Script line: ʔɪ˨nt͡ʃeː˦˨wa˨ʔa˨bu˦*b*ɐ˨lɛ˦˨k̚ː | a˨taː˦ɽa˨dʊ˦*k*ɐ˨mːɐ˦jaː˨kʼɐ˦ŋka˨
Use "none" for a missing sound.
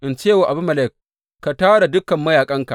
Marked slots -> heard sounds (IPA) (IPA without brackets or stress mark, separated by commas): m, k